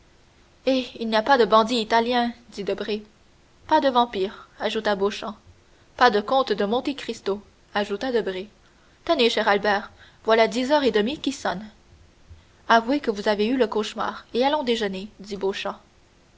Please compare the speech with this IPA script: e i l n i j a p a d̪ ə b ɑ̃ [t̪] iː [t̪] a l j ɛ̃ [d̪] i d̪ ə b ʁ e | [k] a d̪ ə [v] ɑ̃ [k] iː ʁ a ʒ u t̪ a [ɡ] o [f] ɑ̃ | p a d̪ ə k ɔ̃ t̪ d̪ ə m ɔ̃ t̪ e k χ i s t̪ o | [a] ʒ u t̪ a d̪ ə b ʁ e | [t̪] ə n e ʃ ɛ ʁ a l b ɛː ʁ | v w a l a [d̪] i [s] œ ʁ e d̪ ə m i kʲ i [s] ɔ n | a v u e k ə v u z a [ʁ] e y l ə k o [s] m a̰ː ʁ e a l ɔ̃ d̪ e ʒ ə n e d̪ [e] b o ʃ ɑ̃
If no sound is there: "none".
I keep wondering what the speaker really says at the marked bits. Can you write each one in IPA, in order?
d̪, t̪, d̪, p, v, p, b, ʃ, a, t̪, d̪, z, s, v, ʃ, i

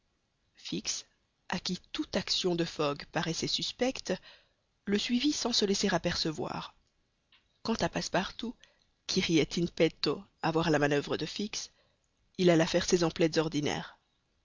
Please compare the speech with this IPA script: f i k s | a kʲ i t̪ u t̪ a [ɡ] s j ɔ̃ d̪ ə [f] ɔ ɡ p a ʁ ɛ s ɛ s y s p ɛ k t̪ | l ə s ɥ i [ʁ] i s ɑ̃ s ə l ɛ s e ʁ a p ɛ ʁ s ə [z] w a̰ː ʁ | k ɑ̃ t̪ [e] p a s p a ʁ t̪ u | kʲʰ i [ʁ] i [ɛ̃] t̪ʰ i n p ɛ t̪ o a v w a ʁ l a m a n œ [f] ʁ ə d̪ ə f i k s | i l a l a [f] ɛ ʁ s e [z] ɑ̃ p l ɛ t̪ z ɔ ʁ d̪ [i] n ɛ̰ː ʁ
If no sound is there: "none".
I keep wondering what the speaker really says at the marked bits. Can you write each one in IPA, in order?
k, f, v, v, a, ʁ, ɛ, v, f, z, i

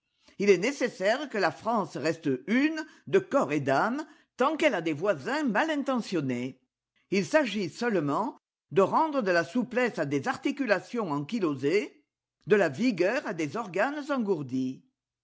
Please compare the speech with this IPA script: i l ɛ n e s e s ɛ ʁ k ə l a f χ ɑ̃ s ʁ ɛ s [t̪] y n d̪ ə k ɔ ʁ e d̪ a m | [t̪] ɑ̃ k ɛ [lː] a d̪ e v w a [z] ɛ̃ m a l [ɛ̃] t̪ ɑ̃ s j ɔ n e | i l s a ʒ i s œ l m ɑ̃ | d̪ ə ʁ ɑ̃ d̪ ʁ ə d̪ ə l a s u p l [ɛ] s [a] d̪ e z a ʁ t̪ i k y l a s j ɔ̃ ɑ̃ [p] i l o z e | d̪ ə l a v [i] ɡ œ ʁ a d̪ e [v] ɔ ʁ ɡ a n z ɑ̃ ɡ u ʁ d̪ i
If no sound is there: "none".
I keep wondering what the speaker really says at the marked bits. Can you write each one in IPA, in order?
t̪, t̪, l, z, ɛ̃, ɛ, a, k, i, z

